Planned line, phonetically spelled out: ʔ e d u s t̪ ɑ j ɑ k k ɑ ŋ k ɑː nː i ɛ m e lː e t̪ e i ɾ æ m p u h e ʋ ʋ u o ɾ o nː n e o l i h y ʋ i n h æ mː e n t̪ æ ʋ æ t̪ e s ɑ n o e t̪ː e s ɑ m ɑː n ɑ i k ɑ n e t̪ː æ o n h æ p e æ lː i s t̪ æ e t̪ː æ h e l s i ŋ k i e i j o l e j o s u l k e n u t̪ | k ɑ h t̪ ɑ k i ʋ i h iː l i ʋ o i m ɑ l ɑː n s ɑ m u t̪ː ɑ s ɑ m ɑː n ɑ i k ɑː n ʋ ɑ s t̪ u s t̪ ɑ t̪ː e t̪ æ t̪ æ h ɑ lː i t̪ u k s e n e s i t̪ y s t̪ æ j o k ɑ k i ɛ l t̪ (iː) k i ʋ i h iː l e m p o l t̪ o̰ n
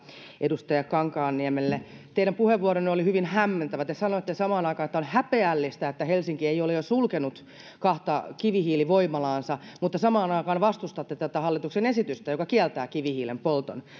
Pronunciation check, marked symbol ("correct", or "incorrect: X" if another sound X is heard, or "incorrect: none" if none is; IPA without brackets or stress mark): incorrect: æː